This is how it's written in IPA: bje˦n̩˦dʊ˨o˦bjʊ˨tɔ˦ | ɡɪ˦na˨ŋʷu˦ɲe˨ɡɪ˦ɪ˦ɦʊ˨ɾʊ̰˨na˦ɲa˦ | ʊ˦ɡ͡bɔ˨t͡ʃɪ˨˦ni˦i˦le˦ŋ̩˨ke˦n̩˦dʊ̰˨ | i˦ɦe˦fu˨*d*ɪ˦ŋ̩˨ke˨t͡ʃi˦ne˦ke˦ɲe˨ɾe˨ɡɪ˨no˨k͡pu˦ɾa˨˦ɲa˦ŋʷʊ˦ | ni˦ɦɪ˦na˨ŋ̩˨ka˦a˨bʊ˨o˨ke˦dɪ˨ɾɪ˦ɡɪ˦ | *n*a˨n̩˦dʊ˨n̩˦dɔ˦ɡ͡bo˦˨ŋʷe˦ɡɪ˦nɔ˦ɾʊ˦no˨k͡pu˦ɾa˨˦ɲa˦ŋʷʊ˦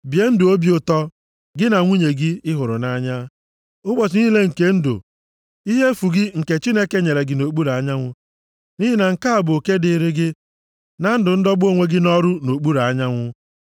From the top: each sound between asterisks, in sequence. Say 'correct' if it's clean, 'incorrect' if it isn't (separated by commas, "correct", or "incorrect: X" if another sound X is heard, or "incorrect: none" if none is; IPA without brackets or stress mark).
incorrect: ɡ, correct